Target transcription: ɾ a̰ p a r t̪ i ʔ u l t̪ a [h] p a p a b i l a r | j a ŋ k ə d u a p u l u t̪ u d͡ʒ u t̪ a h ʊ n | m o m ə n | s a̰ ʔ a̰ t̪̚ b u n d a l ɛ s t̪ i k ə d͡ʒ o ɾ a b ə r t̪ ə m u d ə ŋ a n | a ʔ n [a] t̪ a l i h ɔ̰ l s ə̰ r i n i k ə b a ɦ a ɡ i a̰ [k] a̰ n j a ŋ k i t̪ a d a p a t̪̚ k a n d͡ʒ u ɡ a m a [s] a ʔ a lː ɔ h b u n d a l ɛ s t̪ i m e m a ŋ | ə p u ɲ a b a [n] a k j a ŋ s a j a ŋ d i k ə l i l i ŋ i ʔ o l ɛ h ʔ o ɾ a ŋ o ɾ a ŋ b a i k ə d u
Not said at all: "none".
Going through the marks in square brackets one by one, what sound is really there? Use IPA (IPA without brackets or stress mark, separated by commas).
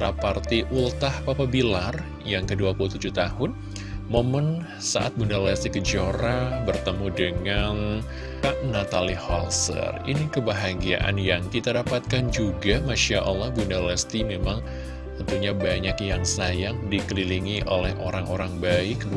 h, a, ʔ, ʃ, ɲ